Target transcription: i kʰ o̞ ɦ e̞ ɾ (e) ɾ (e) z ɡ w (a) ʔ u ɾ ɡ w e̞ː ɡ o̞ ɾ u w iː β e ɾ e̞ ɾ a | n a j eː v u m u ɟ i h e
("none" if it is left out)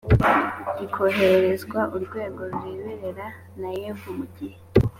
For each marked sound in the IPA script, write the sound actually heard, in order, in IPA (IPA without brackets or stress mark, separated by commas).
e, e, a